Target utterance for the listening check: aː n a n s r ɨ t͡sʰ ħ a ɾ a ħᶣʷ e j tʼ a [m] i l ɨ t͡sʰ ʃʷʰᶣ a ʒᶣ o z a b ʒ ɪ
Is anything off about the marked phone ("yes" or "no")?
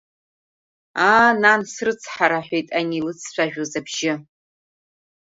yes